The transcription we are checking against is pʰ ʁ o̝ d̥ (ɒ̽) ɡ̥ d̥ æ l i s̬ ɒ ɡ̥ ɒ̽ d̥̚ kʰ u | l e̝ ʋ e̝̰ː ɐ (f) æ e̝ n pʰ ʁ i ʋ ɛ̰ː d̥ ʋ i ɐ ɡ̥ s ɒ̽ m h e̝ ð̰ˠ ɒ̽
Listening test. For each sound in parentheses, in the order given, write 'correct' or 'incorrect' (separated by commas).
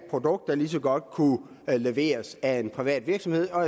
incorrect, incorrect